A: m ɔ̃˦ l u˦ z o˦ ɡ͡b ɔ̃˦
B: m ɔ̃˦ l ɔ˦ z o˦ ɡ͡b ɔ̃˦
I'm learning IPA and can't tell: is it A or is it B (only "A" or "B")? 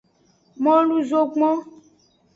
A